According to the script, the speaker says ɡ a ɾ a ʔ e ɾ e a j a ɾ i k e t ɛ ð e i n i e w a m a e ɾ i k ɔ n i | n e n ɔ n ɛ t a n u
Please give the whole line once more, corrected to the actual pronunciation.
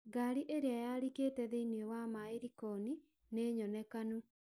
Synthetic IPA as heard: ɡ a ɾ i ʔ e ɾ e a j a ɾ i k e t ɛ ð e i n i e w a m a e ɾ i k ɔ n i | n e ɲ ɔ n ɛ k a n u